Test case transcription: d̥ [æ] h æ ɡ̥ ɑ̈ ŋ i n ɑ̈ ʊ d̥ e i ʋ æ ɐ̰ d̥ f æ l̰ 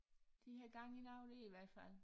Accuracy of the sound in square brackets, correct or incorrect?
incorrect